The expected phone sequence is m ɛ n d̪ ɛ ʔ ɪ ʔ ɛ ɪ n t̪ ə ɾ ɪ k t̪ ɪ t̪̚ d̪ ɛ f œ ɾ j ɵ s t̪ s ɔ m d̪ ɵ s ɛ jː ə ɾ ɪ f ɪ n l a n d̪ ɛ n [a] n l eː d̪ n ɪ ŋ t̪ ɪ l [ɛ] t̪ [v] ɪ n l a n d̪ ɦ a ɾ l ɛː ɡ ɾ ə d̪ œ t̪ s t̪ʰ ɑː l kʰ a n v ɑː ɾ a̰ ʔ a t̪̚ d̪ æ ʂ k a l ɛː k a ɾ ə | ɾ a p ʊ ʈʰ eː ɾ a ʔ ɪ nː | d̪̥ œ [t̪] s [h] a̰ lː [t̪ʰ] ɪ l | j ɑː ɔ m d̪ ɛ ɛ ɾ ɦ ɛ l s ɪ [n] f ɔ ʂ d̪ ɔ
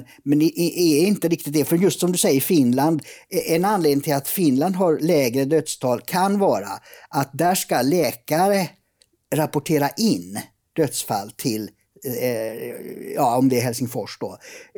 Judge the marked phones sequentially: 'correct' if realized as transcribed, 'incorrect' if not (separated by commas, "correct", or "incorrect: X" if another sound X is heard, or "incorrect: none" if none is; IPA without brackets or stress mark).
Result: correct, incorrect: a, incorrect: f, correct, incorrect: f, correct, incorrect: ŋ